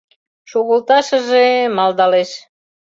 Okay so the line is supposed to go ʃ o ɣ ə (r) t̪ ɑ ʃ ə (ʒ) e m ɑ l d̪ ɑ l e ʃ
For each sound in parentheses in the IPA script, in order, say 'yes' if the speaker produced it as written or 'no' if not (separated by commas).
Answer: no, yes